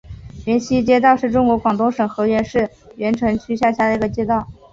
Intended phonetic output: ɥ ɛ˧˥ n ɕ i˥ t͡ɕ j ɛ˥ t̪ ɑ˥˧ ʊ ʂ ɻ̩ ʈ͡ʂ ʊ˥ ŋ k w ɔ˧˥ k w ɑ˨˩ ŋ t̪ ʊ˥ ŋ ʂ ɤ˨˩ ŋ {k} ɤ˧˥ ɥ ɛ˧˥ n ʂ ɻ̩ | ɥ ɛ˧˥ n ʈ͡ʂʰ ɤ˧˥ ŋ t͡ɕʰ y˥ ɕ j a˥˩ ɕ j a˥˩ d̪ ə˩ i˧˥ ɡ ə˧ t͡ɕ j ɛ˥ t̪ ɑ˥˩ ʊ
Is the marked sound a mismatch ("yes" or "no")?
yes